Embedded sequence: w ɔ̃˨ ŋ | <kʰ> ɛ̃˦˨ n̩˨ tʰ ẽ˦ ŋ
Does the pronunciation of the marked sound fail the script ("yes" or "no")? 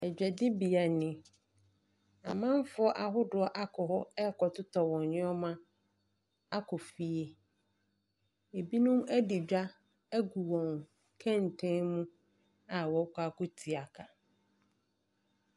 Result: no